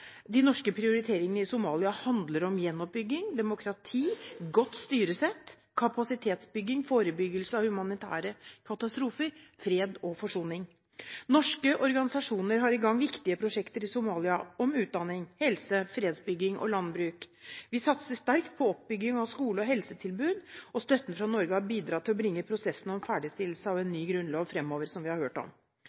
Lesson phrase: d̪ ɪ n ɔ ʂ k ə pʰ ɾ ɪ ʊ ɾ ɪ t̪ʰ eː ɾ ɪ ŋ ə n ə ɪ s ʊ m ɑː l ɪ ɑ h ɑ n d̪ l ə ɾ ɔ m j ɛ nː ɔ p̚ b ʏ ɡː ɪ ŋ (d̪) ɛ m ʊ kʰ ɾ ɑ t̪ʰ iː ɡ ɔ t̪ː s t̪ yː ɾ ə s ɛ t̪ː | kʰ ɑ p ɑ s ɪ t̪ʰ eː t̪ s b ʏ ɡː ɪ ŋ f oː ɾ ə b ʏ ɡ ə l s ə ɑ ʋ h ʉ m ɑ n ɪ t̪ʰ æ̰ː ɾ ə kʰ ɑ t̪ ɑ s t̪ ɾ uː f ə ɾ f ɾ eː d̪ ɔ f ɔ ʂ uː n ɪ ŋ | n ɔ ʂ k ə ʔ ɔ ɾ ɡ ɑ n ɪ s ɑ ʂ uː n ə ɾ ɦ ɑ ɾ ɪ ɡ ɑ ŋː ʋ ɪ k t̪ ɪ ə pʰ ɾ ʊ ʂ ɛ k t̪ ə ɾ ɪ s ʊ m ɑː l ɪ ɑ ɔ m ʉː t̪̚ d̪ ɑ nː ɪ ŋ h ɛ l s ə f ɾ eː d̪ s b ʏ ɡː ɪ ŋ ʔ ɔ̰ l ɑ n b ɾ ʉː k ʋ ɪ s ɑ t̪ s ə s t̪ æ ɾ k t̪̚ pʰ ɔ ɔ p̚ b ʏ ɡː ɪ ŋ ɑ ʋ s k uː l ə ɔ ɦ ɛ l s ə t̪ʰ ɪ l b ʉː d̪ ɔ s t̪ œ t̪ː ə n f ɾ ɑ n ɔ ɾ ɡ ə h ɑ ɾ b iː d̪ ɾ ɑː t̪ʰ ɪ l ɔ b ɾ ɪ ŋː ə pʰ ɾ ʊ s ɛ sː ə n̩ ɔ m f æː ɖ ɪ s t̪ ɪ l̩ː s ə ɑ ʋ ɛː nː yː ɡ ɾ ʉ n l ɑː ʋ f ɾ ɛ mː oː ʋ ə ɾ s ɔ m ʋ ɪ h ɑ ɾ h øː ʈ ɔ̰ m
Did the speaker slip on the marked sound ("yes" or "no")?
no